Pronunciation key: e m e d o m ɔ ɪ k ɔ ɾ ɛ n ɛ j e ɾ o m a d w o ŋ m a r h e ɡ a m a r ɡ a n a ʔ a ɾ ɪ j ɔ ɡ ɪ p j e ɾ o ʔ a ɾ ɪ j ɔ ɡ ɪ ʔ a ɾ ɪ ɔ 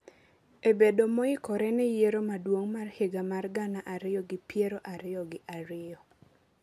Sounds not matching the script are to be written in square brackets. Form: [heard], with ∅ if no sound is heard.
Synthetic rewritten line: e [b] e d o m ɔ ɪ k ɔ ɾ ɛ n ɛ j e ɾ o m a d w o ŋ m a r h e ɡ a m a r ɡ a n a ʔ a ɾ ɪ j ɔ ɡ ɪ p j e ɾ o ʔ a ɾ ɪ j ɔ ɡ ɪ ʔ a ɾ ɪ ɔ